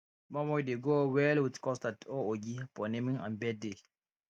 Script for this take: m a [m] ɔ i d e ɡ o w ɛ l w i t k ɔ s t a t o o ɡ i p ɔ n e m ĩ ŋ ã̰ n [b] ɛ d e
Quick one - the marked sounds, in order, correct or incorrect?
correct, correct

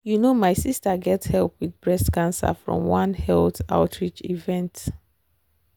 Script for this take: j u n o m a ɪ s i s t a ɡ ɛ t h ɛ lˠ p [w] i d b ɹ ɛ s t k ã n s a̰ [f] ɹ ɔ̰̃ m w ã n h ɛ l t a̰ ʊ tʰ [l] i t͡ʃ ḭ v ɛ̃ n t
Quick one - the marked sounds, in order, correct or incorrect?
correct, correct, incorrect: ɹ

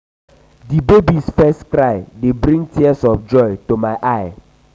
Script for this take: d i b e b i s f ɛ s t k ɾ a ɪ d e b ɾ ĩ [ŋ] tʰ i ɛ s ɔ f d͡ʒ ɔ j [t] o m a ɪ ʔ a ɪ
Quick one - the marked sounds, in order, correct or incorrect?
correct, correct

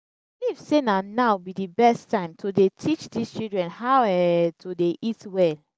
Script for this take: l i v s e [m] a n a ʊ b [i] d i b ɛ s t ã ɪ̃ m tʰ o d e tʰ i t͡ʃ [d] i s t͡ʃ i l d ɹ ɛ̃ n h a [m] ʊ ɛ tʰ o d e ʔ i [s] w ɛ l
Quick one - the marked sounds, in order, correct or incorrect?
incorrect: n, correct, correct, incorrect: none, incorrect: t

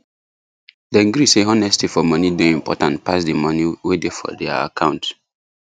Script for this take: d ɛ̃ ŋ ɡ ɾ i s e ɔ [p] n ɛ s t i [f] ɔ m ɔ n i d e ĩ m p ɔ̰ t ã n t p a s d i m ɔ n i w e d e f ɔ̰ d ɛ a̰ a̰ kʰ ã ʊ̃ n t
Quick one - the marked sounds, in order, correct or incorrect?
incorrect: none, correct

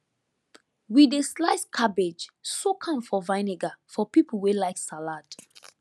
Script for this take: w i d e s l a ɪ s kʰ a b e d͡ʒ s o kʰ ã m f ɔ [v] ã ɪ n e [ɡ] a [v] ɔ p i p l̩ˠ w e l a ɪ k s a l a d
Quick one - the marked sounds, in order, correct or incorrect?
correct, correct, incorrect: f

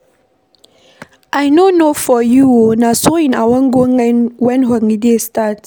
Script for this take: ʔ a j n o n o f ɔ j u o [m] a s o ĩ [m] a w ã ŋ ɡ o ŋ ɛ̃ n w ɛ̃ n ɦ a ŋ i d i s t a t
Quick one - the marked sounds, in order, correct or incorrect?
incorrect: n, incorrect: n

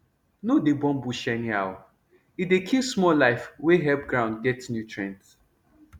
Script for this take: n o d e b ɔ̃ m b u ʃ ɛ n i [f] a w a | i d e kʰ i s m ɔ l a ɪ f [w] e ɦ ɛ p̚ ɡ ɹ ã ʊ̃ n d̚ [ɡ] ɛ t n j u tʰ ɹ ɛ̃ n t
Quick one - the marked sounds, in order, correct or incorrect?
incorrect: none, correct, correct

